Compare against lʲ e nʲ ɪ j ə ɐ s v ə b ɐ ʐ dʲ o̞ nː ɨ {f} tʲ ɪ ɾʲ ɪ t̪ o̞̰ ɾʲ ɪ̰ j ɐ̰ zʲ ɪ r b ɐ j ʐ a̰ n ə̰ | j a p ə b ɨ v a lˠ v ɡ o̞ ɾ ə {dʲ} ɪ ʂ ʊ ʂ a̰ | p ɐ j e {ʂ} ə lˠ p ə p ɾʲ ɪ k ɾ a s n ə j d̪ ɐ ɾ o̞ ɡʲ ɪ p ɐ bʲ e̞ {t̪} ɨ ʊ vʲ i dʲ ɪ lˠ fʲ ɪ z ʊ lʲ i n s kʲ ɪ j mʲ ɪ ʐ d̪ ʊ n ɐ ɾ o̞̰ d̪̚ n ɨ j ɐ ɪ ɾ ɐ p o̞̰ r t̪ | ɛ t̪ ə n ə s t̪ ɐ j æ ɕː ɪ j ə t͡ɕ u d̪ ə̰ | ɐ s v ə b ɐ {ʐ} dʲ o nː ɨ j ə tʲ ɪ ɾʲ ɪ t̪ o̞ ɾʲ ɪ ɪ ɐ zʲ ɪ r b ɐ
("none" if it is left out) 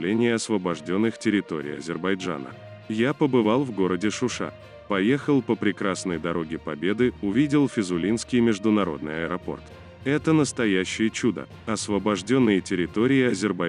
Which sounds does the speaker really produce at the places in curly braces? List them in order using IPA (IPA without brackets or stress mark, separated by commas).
x, dʲ, x, d̪, ʐ